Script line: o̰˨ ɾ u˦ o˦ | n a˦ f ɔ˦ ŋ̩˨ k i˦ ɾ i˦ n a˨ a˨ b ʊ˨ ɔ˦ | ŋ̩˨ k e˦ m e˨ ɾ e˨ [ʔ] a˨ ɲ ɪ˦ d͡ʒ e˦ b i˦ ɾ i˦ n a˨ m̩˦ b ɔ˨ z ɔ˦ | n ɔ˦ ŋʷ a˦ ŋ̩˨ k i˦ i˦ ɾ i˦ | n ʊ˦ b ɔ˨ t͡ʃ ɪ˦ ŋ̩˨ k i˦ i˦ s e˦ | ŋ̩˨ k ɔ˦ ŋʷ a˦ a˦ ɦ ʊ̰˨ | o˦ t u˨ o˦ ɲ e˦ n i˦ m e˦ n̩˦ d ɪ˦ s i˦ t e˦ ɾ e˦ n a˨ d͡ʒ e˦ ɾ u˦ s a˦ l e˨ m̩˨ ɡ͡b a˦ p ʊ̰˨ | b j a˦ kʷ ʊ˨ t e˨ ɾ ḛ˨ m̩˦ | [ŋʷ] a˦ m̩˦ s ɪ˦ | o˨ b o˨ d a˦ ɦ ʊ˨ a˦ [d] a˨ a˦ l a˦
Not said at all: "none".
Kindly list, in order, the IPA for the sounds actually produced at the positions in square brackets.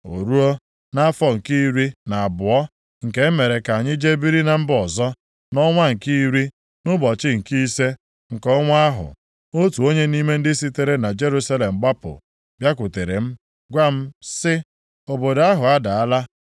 k, ɡʷ, d

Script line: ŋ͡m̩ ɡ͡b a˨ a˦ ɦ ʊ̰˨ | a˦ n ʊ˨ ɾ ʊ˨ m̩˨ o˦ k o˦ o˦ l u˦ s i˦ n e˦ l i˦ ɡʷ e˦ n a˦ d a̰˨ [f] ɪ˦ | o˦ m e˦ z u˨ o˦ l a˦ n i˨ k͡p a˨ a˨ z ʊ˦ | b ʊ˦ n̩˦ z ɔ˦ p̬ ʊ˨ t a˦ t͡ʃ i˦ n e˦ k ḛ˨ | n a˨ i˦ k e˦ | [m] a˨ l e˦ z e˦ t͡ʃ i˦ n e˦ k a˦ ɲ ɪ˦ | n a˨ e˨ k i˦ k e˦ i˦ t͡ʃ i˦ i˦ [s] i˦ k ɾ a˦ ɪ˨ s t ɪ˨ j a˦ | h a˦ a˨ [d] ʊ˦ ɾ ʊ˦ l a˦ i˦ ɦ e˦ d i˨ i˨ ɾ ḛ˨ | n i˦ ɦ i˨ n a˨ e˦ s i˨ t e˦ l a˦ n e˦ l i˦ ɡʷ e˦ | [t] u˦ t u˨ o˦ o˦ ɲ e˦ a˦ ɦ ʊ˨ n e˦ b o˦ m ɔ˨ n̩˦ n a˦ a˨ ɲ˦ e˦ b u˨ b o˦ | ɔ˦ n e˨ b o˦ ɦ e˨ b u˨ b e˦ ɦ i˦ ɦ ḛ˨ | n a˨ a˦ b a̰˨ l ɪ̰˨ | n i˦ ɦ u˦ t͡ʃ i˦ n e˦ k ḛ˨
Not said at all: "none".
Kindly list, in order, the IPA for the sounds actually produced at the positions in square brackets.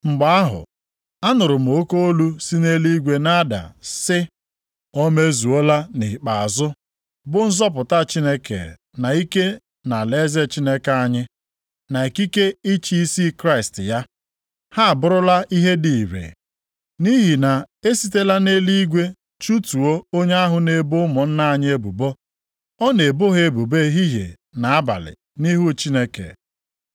s, n, s, b, t͡ʃ

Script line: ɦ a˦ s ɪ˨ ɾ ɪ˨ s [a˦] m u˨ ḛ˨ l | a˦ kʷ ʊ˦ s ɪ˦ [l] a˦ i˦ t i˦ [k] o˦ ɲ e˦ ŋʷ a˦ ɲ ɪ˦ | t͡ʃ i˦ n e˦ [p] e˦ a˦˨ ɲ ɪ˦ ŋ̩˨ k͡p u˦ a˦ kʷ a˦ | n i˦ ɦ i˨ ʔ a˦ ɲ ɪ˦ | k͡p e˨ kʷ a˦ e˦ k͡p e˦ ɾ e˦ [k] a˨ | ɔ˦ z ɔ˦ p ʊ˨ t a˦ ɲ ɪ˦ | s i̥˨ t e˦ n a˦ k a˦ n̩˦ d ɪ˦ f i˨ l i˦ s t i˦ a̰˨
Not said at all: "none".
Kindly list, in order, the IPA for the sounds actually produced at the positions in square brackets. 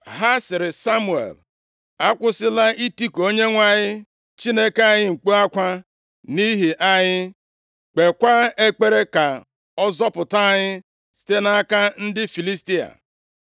a˦, l, k, k, k

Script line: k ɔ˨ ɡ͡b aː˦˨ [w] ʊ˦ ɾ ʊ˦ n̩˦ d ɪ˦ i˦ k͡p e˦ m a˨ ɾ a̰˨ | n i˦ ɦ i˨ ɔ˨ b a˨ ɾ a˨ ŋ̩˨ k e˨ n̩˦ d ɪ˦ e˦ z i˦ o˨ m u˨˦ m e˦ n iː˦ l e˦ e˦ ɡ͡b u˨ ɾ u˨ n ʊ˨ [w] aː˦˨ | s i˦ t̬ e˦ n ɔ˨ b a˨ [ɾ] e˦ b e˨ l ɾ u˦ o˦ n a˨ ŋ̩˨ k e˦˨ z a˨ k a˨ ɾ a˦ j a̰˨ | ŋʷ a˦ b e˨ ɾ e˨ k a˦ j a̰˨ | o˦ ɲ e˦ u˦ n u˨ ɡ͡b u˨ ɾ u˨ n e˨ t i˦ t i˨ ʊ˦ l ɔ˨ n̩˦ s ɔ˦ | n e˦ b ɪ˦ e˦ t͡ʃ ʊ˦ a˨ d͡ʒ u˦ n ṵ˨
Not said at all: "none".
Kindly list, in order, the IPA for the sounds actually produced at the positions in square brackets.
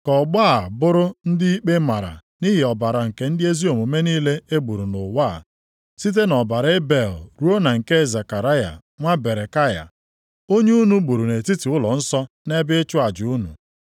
b, w, ɾ

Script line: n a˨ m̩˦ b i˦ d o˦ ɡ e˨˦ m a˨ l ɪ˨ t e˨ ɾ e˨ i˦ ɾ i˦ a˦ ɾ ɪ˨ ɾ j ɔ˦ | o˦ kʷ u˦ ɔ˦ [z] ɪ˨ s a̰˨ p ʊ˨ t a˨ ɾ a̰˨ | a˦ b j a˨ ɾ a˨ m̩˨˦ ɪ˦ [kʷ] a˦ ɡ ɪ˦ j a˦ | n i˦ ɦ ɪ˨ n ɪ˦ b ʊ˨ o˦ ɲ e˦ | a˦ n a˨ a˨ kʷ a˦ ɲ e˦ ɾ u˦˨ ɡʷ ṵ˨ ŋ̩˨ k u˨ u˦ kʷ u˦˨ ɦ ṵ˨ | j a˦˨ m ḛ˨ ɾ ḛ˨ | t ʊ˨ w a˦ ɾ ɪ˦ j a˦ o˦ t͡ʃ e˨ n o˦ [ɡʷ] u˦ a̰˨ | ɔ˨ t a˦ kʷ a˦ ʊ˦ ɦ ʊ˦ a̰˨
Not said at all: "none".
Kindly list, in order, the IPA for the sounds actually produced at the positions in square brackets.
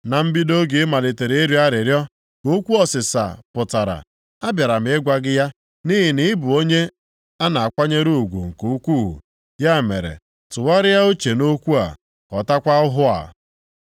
s, ɡʷ, kʷ

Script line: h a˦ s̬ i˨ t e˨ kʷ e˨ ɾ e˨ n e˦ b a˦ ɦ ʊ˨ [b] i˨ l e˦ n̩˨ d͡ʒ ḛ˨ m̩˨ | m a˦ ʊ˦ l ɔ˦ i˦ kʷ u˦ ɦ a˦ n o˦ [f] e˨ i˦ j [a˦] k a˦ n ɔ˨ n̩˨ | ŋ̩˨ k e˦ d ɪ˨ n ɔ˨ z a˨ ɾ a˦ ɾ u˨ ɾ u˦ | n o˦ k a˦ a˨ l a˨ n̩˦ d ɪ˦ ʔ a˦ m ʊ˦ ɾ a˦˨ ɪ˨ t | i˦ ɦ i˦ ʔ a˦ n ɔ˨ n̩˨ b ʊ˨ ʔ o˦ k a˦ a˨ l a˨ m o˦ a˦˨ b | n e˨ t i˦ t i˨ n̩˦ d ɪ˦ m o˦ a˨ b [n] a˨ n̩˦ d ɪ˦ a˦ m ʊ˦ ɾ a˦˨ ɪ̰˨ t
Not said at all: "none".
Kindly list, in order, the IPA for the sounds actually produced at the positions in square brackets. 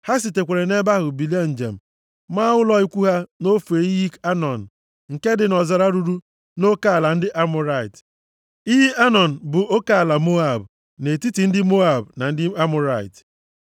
b, f, i˦, n

